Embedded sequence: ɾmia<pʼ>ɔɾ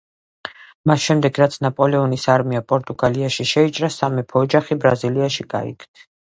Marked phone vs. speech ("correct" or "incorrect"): correct